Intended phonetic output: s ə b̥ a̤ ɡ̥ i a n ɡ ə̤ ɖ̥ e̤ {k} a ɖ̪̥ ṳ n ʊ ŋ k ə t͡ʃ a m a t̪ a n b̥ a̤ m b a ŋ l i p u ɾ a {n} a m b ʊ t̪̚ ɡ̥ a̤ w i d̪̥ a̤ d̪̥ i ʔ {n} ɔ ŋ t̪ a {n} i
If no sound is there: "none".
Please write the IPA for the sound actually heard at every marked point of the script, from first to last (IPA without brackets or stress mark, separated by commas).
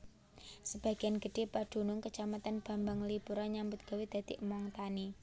p, ɲ, m, n